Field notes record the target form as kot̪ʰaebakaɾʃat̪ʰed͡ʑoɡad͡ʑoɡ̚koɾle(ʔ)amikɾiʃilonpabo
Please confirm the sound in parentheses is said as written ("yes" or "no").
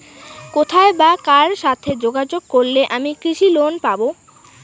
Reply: yes